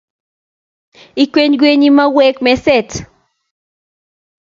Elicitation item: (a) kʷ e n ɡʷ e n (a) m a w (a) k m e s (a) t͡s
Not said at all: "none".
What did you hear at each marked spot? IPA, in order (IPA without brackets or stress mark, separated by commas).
i, i, e, e